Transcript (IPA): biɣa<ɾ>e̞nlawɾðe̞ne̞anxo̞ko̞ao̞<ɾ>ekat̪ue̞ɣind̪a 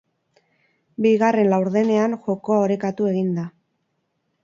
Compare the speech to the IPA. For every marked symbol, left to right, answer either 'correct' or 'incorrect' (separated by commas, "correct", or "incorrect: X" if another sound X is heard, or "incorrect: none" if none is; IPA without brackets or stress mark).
incorrect: r, correct